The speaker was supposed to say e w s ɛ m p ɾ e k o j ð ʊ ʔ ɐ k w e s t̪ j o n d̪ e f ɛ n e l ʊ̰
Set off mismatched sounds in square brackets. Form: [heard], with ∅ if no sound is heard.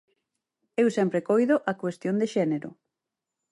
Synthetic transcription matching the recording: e w s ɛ m p ɾ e k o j ð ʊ ʔ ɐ k w e s t̪ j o n d̪ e [ʃ] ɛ n e [ɾ] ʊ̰

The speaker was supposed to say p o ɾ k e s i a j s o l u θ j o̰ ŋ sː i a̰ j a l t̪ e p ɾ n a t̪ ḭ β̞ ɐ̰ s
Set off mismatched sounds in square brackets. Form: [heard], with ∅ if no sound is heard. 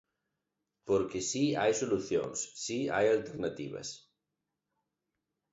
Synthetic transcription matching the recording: p o ɾ k e s i a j s o l u θ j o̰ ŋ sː i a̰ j a l t̪ e [∅] ɾ n a t̪ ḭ β̞ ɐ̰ s

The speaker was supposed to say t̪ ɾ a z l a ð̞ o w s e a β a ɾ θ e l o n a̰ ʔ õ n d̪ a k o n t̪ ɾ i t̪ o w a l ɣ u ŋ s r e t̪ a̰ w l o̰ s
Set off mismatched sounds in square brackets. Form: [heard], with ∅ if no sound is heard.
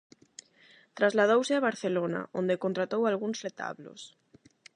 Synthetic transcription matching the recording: t̪ ɾ a z l a ð̞ o w s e a β a ɾ θ e l o n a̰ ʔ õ n d̪ [e] k o n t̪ ɾ [a] t̪ o w a l ɣ u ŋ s r e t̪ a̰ [β] l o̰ s

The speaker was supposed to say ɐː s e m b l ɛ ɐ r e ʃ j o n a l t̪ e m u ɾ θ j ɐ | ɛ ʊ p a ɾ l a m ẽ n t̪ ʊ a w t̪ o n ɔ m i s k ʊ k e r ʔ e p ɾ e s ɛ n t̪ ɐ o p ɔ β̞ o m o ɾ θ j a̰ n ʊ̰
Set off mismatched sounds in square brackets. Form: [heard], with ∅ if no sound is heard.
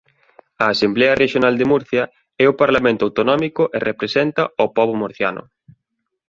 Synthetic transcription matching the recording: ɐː s e m b l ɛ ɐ r e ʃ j o n a l [d̪] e m u ɾ θ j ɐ | ɛ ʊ p a ɾ l a m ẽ n t̪ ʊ a w t̪ o n ɔ m i [∅] k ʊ [ʔ] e r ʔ e p ɾ e s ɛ n t̪ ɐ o p ɔ β̞ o m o ɾ θ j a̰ n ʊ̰

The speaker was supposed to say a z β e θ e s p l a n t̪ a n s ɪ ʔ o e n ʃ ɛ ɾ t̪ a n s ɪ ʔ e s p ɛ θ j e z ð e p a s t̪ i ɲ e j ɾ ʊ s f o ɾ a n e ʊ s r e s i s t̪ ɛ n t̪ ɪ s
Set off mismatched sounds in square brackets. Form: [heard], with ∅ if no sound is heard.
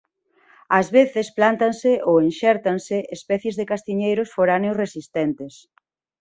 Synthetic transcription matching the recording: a z β e θ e s p l a n t̪ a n s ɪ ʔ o e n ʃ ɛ ɾ t̪ a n s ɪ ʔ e s p ɛ θ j e z ð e [k] a s t̪ i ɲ e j ɾ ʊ s f o ɾ a n e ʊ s r e s i s t̪ ɛ n t̪ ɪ s

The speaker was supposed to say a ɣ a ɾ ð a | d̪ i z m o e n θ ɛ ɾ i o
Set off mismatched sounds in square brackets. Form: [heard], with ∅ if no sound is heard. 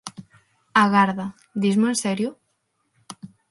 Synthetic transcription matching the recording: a ɣ a ɾ ð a | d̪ i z m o e n [s] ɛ ɾ [j] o

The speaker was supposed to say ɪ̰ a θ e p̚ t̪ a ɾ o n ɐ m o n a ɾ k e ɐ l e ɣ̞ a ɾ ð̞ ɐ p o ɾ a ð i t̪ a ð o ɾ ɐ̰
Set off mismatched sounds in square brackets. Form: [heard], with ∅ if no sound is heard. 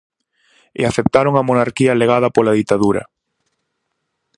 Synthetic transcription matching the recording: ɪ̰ a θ e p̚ t̪ a ɾ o [ŋ] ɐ m o n a ɾ k [i] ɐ l e ɣ̞ a [∅] ð̞ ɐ p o [l] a ð i t̪ a ð [u] ɾ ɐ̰

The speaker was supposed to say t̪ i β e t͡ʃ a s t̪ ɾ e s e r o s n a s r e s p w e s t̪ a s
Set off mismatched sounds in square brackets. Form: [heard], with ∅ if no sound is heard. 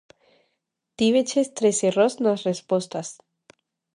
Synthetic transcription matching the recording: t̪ i β e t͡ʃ [e] s t̪ ɾ e s e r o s n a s r e s p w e s t̪ a s

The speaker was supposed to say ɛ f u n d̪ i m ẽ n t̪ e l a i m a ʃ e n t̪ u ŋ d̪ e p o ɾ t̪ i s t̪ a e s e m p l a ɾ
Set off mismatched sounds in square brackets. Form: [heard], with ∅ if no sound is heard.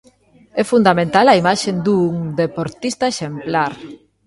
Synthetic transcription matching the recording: ɛ f u n d̪ [a] m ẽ n t̪ [a] l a i m a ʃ e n [d̪] u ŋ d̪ e p o ɾ t̪ i s t̪ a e [ʃ] e m p l a ɾ

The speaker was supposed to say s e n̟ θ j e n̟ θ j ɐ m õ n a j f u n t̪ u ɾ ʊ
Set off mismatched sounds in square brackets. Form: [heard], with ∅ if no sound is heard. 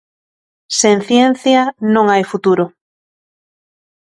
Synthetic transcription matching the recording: s e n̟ θ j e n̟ θ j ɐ [n] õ [ŋ] a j f u [∅] t̪ u ɾ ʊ

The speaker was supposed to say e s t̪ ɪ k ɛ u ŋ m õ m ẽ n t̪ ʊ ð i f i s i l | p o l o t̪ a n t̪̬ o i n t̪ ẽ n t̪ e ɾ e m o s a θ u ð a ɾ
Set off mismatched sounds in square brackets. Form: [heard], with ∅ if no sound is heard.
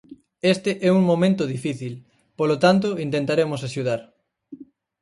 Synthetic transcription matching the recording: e s t̪ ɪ [ʔ] ɛ u ŋ m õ m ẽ n t̪ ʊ ð i f i [θ] i l | p o l o t̪ a n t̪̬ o i n t̪ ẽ n t̪ [a] ɾ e m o s a [ʃ] u ð a ɾ

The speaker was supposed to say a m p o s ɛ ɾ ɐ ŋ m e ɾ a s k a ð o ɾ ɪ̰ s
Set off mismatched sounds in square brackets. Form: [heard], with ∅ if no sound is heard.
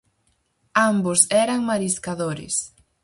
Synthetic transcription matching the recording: a m [b] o s ɛ ɾ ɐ ŋ m [a] ɾ [i] s k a ð o ɾ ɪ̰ s

